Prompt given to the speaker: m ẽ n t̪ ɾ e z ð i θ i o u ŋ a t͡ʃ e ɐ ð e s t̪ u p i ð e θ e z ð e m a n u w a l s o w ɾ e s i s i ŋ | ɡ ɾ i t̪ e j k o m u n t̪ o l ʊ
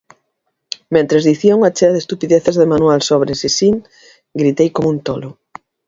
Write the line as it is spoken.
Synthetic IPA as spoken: m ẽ n t̪ ɾ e z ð i θ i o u ŋ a t͡ʃ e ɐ ð e s t̪ u p i ð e θ e z ð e m a n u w a l s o β ɾ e s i s i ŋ | ɡ ɾ i t̪ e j k o m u n t̪ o l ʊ